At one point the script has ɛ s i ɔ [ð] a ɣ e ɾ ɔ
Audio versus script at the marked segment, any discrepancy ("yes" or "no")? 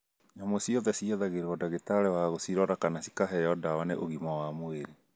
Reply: no